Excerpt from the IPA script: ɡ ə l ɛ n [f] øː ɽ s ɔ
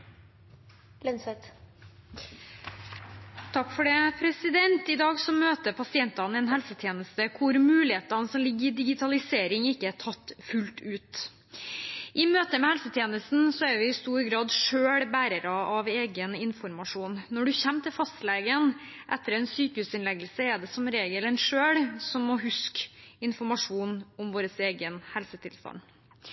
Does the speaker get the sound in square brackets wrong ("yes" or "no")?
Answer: yes